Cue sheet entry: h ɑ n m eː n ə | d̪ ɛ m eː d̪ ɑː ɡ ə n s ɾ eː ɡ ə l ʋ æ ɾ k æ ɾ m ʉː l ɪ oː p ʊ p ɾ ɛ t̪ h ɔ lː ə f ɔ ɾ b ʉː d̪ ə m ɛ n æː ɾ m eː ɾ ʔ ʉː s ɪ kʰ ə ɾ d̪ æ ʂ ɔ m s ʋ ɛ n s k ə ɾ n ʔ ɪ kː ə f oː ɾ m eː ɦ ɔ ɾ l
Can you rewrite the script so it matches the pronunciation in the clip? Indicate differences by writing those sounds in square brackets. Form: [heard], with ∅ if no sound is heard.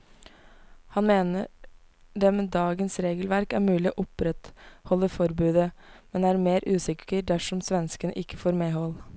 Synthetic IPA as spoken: h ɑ n m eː n ə | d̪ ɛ m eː d̪ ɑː ɡ ə n s ɾ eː ɡ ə l ʋ æ ɾ k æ ɾ m ʉː l ɪ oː [ʔ] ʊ p ɾ ɛ t̪ h ɔ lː ə f ɔ ɾ b ʉː d̪ ə m ɛ n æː ɾ m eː ɾ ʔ ʉː s ɪ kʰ ə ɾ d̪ æ ʂ ɔ m s ʋ ɛ n s k ə [∅] n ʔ ɪ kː ə f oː ɾ m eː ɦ ɔ [∅] l